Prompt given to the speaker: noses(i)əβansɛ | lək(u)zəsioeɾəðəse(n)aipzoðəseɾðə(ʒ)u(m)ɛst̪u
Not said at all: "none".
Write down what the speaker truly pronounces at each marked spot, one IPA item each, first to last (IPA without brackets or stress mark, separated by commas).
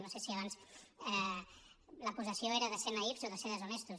i, u, n, z, n